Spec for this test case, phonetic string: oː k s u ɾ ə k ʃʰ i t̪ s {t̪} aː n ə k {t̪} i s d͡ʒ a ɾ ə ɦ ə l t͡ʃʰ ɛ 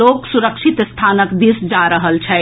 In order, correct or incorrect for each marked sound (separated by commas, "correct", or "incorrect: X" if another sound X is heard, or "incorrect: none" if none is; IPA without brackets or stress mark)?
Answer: incorrect: t̪ʰ, incorrect: d̪